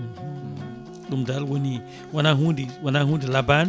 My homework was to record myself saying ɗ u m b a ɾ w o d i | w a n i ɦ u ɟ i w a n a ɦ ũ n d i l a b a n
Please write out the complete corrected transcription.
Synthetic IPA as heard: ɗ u m d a l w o n i | w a n a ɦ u d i w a n a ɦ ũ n d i l a b a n